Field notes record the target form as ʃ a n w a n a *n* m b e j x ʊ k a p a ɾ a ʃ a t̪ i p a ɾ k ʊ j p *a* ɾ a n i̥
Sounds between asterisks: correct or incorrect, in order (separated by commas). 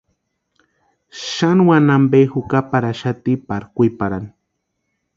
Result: incorrect, correct